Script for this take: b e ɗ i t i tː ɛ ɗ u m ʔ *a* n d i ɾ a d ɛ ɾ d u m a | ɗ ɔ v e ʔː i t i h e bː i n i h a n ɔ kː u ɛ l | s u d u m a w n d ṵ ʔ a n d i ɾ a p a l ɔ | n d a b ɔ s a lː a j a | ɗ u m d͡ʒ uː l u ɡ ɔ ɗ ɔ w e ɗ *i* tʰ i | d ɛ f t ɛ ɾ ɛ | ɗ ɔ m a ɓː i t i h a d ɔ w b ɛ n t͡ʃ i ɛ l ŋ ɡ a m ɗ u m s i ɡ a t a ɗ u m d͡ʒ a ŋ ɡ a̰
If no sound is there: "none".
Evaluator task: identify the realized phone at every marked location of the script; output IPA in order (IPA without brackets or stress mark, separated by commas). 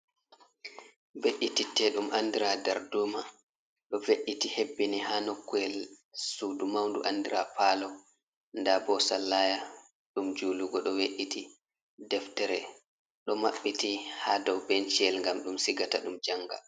a, i